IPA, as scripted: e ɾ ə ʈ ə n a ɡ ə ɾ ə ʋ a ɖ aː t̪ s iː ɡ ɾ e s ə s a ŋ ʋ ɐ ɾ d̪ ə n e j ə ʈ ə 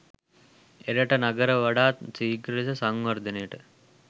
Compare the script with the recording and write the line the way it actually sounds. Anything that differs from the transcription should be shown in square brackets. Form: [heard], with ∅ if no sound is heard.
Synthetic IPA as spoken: e ɾ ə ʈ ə n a ɡ ə ɾ ə ʋ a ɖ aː t̪ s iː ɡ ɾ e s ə s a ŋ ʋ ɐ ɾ d̪ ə n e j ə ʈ ə